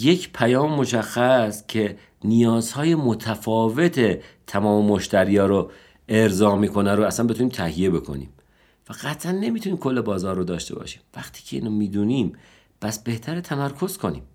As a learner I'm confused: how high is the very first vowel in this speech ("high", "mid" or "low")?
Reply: mid